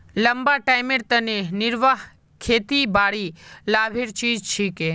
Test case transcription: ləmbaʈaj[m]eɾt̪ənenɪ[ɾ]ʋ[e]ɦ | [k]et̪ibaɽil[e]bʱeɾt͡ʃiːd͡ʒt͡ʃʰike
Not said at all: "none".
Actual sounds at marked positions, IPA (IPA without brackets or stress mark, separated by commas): m, ɾ, a, kʰ, a